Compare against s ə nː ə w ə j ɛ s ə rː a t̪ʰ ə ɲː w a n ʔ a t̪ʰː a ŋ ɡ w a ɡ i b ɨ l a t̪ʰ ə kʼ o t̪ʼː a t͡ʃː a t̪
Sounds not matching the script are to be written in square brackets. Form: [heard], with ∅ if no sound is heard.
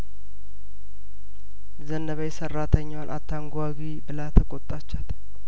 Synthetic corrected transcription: [z] ə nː ə [β] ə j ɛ s ə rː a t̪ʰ ə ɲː w a n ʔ a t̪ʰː a ŋ ɡ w a ɡ i b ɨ l a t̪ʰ ə kʼ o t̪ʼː a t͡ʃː a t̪